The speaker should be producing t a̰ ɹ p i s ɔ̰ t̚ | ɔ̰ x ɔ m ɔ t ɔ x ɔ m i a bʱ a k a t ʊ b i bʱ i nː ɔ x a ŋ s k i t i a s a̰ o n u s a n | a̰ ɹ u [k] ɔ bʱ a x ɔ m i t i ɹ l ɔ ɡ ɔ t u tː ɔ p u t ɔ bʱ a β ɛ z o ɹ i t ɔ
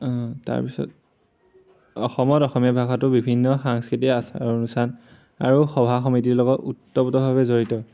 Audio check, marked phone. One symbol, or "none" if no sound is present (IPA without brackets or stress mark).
x